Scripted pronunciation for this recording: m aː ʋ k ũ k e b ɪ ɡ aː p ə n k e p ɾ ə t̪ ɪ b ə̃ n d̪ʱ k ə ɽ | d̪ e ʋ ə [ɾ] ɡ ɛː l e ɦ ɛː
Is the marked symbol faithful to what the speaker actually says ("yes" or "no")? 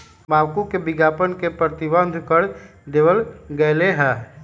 no